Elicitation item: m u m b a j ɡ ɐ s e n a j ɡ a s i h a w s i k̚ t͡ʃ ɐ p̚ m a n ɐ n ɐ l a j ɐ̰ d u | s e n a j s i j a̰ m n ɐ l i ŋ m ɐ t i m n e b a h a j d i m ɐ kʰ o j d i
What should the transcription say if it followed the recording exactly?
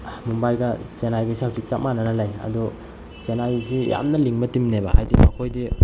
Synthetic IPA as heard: m u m b a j ɡ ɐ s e n a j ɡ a s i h a w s i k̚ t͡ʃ a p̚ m a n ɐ n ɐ l a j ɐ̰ d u | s e n a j s i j a̰ m n ɐ l i ŋ m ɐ t i m n e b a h a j d i m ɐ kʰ o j d i

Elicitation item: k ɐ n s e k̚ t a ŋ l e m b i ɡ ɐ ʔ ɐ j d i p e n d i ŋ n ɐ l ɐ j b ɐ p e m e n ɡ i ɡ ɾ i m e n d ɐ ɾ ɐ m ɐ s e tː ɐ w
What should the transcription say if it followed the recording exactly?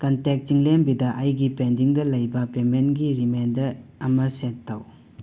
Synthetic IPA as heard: k ɐ n t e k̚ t i ŋ l e m b i d ɐ ʔ ɐ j ɡ i p e n d i ŋ d ɐ l ɐ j b ɐ p e m e n ɡ i ɾ i m e n d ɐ ɾ ɐ m ɐ s e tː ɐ w

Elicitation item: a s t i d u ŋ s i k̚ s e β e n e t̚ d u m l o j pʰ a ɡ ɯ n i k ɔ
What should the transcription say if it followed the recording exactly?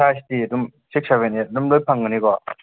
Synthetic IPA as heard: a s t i d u m s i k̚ s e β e n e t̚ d u m l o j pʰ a ŋ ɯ n i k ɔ

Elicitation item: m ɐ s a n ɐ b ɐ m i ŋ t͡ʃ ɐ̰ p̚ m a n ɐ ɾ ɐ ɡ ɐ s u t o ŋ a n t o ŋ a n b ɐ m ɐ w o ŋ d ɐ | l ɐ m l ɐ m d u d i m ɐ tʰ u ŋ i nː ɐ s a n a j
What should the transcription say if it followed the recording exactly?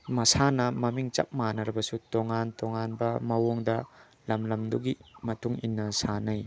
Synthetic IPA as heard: m ɐ s a n ɐ m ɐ m i ŋ t͡ʃ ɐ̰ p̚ m a n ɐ ɾ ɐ b ɐ s u t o ŋ a n t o ŋ a n b ɐ m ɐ w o ŋ d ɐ | l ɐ m l ɐ m d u ɡ i m ɐ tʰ u ŋ i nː ɐ s a n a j

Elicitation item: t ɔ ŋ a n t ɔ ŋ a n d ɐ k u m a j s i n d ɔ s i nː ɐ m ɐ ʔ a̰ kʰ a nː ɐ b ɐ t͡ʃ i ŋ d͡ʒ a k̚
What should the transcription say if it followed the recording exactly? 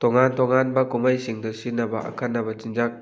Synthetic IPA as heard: t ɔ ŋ a n t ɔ ŋ a n b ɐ k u m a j s i ŋ d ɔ s i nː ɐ b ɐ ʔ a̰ kʰ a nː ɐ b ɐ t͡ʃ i n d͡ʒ a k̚

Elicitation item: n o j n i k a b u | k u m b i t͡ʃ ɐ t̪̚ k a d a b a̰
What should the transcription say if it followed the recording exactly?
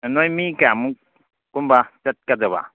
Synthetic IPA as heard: n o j m i k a m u | k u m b a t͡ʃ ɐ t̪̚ k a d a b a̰

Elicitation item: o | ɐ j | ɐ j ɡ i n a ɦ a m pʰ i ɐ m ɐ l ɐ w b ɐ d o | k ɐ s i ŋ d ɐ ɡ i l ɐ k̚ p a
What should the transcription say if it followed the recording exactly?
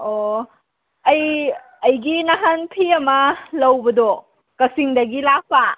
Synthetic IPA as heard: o | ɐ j | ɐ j ɡ i n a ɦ a n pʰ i ɐ m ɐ l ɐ w b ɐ d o | k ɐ s i ŋ d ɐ ɡ i l a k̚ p a

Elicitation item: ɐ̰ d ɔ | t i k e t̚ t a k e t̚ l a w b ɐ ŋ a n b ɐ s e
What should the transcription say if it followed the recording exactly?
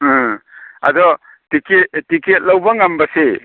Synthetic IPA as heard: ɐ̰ d ɔ | t i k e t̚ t i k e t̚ l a w b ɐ ŋ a m b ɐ s e

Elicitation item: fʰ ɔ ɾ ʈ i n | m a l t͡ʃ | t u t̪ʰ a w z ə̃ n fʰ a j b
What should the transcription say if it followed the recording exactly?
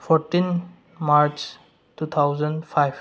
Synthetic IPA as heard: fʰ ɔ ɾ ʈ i n | m a ɾ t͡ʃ | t u t̪ʰ a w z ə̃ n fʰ a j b

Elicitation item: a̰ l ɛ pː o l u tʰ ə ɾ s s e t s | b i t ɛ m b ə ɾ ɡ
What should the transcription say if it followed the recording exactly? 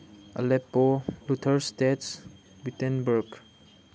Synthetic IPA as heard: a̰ l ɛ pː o l u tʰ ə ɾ s t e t s | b i t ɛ n b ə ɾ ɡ

